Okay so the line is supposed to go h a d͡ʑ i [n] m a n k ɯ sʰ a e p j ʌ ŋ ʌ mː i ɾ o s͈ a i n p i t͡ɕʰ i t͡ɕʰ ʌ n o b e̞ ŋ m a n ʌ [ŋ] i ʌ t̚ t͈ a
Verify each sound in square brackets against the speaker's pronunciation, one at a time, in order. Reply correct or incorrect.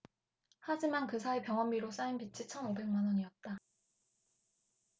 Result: incorrect, incorrect

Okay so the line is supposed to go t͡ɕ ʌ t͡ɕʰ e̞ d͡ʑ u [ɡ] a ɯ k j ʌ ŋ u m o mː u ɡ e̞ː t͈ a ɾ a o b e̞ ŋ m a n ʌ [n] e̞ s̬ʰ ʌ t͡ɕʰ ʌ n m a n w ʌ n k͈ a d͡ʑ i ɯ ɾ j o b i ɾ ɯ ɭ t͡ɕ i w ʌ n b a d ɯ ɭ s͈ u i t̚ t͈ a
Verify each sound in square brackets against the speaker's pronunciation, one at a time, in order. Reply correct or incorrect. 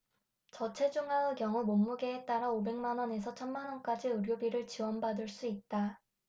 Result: incorrect, correct

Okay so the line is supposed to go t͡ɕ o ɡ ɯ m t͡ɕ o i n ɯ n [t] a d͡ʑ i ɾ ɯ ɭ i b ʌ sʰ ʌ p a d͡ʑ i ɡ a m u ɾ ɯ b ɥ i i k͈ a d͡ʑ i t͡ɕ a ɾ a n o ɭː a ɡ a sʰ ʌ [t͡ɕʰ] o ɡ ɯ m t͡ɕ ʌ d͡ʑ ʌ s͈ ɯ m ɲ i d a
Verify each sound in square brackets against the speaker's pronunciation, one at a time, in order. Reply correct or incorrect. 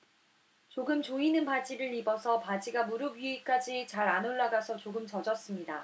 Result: incorrect, incorrect

